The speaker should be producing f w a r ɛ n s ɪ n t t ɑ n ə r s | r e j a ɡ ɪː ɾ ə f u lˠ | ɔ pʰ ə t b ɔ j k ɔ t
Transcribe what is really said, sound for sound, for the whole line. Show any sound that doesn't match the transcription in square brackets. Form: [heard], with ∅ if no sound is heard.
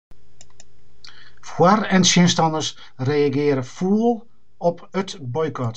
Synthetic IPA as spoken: f w a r ɛ n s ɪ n [s] t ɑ n ə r s | r e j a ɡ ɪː ɾ ə f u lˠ | ɔ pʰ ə t b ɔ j k ɔ t